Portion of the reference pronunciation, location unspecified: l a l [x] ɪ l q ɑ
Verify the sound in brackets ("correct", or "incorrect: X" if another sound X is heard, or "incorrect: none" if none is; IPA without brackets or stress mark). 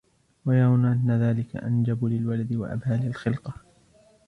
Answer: correct